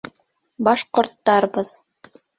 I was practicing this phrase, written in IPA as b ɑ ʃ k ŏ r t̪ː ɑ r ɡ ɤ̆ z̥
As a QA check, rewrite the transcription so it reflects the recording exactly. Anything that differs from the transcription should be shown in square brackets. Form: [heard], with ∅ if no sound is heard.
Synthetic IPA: b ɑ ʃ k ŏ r t̪ː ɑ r [b] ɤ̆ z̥